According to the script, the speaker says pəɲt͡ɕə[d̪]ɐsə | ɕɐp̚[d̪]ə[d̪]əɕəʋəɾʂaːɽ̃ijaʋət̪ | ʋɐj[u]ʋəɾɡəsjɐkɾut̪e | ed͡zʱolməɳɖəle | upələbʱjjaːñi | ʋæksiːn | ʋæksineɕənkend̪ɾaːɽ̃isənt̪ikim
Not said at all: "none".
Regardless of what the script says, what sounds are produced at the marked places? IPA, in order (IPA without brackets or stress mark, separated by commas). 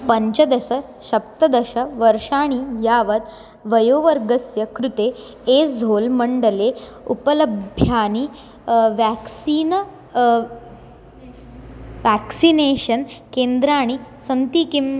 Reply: d̪, t̪, d̪, o